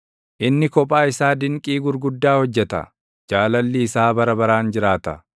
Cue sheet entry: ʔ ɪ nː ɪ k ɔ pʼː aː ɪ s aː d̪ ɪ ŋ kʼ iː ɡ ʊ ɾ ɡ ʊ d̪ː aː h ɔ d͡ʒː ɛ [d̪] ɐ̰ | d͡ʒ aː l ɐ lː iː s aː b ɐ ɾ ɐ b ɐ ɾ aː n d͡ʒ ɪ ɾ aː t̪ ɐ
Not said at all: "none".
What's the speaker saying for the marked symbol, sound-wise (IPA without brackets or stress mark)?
t̪